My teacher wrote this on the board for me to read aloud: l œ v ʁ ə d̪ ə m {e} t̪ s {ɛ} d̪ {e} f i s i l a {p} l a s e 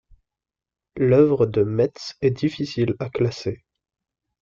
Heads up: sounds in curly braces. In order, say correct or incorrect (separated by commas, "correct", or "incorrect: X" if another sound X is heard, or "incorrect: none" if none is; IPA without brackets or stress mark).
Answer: incorrect: ɛ, correct, incorrect: i, incorrect: k